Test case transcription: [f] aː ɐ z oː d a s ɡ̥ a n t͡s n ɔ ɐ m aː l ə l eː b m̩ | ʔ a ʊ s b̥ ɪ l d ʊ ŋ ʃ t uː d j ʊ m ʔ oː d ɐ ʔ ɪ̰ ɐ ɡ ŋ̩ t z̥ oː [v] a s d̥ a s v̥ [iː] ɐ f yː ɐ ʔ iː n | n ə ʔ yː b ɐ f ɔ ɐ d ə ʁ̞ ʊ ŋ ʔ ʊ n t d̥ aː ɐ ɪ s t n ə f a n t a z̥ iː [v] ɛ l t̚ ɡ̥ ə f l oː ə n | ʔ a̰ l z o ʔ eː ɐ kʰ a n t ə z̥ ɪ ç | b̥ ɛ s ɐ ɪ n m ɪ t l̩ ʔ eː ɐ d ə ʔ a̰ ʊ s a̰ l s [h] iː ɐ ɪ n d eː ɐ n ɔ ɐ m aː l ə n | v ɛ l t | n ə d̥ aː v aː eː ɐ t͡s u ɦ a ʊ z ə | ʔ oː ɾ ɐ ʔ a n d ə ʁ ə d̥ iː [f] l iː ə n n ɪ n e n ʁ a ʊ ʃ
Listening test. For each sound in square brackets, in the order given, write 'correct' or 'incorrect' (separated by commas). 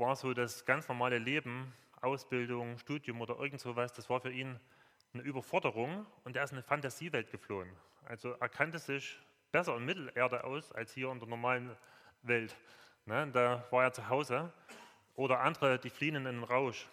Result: incorrect, correct, incorrect, correct, correct, correct